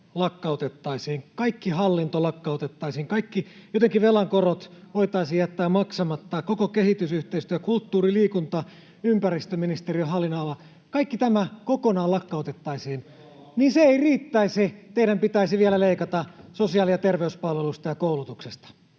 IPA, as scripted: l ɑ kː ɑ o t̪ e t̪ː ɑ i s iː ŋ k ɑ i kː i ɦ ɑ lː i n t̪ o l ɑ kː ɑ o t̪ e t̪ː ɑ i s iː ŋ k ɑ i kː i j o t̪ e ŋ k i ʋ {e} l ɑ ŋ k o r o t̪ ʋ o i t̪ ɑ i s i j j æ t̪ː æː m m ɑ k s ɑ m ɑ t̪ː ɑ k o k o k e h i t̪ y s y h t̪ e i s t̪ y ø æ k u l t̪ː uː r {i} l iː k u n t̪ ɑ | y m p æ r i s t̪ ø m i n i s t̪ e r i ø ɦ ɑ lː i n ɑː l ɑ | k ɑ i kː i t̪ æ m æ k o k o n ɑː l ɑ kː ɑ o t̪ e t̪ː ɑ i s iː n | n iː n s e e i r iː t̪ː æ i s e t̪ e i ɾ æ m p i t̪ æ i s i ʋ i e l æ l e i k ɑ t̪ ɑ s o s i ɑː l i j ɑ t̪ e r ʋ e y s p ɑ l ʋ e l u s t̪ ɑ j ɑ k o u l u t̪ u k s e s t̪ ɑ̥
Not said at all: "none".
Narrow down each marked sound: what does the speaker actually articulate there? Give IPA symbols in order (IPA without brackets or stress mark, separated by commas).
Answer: e, i